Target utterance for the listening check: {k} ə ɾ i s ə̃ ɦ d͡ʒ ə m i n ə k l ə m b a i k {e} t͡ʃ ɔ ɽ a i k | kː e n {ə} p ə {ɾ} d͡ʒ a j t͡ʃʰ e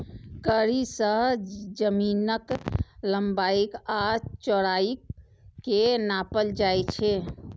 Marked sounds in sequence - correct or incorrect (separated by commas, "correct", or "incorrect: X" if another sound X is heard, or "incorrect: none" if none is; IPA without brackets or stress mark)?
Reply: correct, incorrect: a, incorrect: a, incorrect: l